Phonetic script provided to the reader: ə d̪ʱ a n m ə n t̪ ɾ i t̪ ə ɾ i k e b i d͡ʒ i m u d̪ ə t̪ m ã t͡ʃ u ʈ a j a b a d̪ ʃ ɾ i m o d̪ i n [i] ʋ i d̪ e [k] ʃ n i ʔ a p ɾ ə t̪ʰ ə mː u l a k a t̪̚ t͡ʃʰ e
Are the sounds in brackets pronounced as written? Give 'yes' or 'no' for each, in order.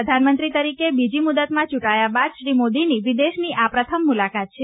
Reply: yes, no

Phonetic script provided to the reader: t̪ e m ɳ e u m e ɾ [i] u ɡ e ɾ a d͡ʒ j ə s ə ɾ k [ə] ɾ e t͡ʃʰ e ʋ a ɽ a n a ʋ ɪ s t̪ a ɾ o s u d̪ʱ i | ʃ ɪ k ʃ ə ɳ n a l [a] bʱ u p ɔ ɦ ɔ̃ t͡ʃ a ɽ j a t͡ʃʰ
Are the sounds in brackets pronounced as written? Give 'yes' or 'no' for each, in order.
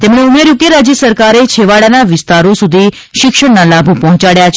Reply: no, no, yes

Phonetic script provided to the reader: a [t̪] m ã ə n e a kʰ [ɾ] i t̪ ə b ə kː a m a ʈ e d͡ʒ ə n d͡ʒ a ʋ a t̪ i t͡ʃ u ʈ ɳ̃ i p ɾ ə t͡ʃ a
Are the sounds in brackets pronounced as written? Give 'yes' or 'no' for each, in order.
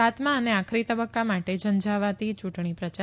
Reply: yes, yes

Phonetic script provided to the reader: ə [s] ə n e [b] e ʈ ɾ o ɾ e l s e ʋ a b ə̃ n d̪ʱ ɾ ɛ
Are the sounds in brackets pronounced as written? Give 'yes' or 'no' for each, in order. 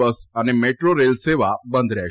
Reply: yes, no

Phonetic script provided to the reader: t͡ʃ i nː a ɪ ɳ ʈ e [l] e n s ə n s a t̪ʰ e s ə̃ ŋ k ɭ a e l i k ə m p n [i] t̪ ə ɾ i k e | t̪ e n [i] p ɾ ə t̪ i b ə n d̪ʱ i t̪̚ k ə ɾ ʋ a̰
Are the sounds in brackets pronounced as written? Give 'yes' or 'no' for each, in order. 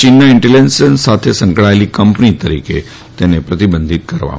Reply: yes, yes, no

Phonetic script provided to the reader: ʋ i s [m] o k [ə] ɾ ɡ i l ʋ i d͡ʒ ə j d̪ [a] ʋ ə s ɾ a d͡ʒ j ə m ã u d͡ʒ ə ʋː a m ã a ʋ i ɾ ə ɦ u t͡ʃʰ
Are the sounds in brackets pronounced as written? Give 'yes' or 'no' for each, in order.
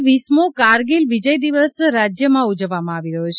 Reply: yes, no, no

